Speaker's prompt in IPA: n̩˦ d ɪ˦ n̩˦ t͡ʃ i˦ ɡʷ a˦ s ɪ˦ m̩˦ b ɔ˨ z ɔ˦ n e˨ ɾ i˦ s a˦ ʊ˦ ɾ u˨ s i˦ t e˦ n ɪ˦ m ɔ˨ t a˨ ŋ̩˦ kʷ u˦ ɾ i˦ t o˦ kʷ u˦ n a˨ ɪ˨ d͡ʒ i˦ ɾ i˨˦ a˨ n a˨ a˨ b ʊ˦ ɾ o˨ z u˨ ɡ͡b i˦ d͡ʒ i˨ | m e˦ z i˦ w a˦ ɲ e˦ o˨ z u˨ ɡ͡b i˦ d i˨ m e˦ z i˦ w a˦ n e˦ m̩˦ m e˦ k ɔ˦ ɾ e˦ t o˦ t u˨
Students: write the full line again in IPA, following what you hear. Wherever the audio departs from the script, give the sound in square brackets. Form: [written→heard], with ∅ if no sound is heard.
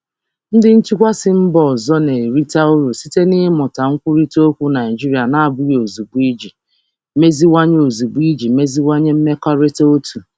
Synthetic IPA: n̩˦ d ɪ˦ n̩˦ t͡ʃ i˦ [ɡʷ→kʷ] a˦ s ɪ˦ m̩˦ b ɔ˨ z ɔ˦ n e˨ ɾ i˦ [s→t] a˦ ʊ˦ ɾ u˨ s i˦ t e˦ n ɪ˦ m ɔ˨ t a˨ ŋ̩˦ kʷ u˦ ɾ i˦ t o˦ kʷ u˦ n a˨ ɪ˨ d͡ʒ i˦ ɾ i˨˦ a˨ n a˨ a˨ b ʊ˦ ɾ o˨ z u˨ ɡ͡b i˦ d͡ʒ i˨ | m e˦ z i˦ w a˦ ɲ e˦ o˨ z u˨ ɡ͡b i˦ [d→d͡ʒ] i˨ m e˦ z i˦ w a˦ [n→ɲ] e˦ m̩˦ m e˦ k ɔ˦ ɾ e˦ t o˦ t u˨